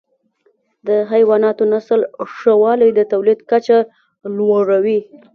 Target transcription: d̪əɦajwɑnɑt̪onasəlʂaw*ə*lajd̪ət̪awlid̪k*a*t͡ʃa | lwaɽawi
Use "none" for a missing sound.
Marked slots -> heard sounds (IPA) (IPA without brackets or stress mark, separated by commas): ɑ, a